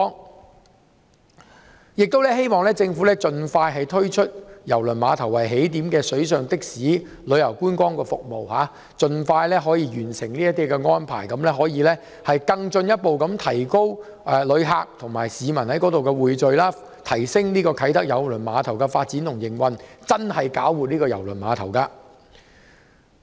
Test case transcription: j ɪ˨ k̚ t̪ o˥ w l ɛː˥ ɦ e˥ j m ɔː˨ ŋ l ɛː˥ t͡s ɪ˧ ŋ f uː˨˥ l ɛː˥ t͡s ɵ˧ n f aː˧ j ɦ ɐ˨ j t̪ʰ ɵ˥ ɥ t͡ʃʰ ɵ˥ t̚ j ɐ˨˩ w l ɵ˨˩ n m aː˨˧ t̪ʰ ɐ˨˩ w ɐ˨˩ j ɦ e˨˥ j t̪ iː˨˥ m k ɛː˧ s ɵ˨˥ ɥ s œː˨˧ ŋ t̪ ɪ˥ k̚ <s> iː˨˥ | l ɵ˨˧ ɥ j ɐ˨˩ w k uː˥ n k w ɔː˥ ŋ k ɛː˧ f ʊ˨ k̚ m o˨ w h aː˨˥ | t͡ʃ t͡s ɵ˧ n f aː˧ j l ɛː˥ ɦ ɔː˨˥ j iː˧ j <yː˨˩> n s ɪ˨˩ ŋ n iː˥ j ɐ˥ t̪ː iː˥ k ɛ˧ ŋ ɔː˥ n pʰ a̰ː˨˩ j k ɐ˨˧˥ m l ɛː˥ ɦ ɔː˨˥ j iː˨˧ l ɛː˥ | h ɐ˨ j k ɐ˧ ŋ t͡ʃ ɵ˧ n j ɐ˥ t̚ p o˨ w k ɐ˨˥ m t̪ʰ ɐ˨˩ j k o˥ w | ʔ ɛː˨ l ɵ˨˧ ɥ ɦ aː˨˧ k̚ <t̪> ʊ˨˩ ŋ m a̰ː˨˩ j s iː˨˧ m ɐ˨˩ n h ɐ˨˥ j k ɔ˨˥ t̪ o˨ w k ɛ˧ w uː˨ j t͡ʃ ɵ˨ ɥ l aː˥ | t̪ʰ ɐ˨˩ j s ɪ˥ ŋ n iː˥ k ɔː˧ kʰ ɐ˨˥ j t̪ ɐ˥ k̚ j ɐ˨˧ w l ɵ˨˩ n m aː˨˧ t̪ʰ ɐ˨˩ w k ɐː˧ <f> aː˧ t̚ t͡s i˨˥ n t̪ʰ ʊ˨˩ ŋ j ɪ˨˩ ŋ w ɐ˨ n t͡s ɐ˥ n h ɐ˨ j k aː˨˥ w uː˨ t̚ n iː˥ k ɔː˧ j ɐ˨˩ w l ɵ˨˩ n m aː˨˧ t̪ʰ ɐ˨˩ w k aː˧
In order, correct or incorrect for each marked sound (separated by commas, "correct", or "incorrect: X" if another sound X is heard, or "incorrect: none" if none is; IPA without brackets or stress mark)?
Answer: correct, correct, incorrect: t̪ʰ, correct